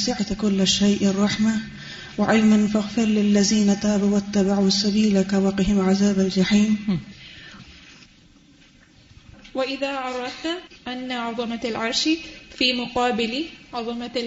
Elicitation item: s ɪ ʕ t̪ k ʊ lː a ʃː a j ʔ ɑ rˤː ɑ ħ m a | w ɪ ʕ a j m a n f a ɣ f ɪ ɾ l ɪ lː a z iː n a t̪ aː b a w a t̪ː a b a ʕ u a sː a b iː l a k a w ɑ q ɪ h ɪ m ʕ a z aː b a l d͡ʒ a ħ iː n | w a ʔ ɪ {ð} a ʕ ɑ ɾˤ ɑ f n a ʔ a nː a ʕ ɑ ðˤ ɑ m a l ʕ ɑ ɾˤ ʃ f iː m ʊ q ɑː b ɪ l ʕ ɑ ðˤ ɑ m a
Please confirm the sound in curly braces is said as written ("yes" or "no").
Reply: yes